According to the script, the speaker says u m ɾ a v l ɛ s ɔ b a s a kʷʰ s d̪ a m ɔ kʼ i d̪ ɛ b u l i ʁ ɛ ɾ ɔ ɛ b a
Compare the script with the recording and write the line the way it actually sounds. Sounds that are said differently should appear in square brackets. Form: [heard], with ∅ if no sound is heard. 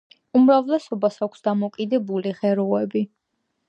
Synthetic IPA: u m ɾ a v l ɛ s ɔ b a s a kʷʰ s d̪ a m ɔ kʼ i d̪ ɛ b u l i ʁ ɛ ɾ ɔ ɛ b [i]